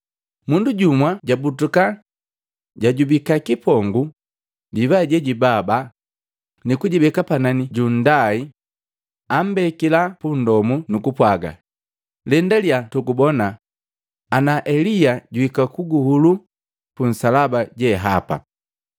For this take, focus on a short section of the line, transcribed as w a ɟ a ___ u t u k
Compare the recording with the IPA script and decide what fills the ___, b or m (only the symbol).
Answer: b